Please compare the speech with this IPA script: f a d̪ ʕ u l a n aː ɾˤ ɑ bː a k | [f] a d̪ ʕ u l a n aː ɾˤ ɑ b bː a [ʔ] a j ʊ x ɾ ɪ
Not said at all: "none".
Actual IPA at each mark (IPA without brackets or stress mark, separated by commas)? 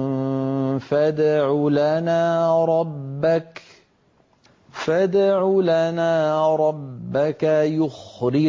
f, k